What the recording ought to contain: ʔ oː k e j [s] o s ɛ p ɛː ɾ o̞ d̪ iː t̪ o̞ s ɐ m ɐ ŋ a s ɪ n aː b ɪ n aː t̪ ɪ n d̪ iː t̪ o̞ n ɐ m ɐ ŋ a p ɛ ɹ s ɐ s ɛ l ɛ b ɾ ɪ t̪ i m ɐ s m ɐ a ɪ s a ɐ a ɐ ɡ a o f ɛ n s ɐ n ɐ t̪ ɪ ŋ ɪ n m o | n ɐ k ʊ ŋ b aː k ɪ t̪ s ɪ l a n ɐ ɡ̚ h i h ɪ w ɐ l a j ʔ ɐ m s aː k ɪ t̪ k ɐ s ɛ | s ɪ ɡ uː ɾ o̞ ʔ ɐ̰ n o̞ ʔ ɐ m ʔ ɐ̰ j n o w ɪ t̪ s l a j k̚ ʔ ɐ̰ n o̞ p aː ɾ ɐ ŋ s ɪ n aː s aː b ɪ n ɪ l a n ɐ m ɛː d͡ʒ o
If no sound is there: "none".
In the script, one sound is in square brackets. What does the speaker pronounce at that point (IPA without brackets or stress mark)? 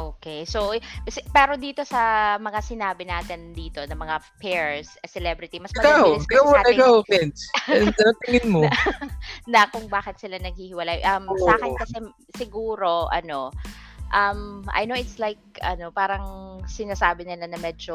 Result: s